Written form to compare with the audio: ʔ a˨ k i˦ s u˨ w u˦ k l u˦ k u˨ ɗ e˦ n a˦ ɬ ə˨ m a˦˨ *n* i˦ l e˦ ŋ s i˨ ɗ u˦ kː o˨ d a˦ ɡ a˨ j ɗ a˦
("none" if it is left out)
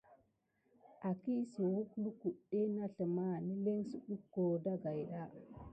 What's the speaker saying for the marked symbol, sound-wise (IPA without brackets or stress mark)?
n